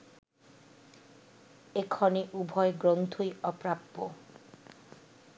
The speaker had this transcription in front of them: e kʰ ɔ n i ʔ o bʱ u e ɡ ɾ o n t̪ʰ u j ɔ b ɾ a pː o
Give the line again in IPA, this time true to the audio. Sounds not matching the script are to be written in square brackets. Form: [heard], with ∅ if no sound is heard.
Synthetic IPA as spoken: e kʰ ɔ n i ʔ [u] bʱ [ɔ] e ɡ ɾ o n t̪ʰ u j ɔ [p] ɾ a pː o